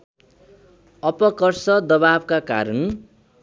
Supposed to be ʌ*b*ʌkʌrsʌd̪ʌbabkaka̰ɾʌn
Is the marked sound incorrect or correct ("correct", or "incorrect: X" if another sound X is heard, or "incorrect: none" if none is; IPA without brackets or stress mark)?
incorrect: p